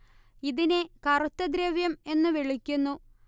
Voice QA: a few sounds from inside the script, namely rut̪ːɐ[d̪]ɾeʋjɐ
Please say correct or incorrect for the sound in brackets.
correct